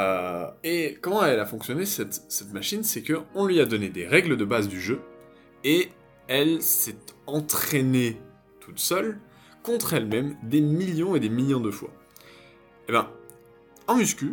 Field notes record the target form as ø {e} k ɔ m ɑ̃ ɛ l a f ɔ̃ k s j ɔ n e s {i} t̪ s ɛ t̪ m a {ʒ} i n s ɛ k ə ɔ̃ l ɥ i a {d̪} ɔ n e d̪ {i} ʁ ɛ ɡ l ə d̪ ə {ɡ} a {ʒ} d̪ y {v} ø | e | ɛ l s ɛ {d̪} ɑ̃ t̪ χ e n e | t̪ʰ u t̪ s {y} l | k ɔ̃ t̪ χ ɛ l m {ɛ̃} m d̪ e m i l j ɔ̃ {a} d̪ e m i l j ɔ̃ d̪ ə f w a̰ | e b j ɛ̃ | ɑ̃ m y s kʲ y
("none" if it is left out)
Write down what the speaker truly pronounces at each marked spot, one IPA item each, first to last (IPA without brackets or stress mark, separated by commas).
e, ɛ, ʃ, d̪, e, b, z, ʒ, t̪, œ, ɛ, e